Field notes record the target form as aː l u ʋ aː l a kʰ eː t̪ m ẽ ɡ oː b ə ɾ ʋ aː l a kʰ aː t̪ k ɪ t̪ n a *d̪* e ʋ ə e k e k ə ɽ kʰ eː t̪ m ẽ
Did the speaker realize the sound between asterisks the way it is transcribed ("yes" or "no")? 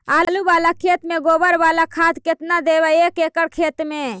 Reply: yes